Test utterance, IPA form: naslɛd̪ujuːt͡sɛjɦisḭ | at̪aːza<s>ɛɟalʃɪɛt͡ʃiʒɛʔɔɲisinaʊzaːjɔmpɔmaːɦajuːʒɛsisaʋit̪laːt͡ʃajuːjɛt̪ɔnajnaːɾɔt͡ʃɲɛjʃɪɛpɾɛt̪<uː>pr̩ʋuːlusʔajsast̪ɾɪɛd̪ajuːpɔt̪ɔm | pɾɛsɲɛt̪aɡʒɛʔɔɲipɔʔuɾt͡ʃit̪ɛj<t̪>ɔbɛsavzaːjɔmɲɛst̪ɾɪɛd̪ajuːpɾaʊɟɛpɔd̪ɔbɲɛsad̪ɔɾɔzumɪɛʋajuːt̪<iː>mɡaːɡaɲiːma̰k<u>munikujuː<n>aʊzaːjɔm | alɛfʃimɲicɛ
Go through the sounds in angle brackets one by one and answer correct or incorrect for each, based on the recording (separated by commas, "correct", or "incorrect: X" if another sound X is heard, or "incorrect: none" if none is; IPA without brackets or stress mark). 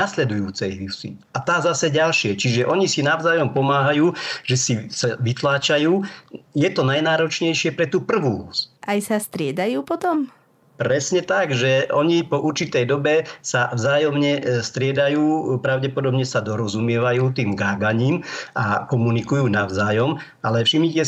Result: correct, correct, incorrect: d̪, correct, incorrect: ɔ, correct